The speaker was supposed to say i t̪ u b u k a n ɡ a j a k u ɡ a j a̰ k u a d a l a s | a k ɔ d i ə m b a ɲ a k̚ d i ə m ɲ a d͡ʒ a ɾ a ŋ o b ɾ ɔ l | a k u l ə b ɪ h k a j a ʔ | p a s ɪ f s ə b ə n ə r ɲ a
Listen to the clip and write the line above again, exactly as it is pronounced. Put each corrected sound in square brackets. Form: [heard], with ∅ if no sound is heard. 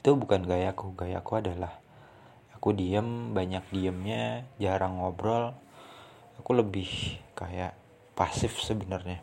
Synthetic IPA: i t̪ u b u k a n ɡ a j a k u ɡ a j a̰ k u a d a l a [h] | a k [u] d i ə m b a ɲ a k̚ d i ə m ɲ a d͡ʒ a ɾ a ŋ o b ɾ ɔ l | a k u l ə b ɪ h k a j a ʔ | p a s ɪ f s ə b ə n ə r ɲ a